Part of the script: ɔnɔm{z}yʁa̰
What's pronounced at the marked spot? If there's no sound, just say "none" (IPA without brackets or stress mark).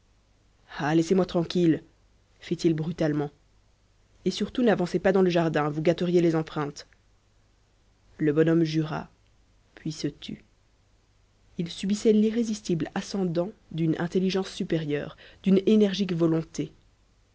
ʒ